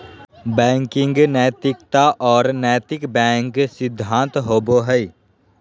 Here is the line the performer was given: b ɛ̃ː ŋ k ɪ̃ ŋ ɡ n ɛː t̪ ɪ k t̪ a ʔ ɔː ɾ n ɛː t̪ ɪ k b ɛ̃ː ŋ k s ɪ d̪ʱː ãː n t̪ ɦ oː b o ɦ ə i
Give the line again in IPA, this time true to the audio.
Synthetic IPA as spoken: b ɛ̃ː ŋ k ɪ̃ ŋ ɡ n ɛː t̪ ɪ k t̪ a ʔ ɔː ɾ n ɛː t̪ ɪ k b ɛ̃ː ŋ k s ɪ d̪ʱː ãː n t̪ ɦ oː b o ɦ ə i